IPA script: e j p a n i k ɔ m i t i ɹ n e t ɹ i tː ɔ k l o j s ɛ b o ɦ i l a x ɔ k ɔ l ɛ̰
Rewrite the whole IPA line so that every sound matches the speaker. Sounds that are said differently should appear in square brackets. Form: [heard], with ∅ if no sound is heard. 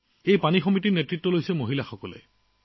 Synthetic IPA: e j p a n i [x] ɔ m i t i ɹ n e t ɹ i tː ɔ [∅] l o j s ɛ [m] o ɦ i l a x ɔ k ɔ l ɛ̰